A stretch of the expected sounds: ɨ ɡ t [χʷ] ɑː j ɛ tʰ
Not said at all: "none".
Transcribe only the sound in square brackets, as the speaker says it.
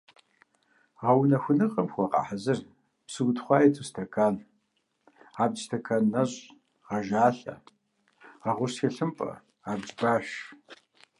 χʷ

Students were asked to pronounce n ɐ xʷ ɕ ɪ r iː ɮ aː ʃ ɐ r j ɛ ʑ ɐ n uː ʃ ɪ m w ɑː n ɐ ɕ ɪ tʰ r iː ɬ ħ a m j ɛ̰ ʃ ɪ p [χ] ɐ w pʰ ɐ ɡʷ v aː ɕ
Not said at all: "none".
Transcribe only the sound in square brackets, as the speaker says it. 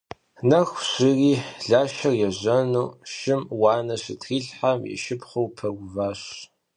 χ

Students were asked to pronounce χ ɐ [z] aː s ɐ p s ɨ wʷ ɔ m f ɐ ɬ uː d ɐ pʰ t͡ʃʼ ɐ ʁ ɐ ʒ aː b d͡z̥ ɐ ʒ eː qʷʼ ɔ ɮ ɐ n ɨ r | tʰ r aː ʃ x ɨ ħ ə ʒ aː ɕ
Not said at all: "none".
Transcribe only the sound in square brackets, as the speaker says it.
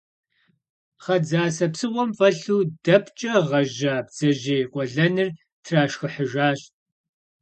d͡z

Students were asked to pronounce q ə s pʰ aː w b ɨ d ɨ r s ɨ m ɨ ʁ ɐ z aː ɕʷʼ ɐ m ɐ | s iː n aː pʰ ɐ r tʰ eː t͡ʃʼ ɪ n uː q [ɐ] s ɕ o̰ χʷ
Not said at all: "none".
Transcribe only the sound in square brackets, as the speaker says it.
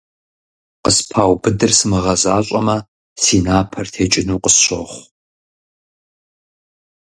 ə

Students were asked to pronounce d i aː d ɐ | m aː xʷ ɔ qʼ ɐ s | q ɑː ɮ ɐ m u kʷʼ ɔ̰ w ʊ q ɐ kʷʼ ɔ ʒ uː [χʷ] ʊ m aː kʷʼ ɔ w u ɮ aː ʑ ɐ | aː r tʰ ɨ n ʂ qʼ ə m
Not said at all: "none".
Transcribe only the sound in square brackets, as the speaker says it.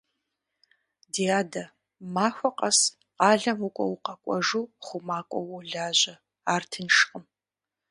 χʷ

